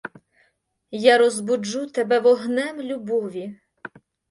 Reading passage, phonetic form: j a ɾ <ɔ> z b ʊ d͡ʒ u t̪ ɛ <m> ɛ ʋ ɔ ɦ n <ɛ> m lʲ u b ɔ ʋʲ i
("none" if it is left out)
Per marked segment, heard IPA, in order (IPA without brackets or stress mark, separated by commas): ɔ, b, ɛ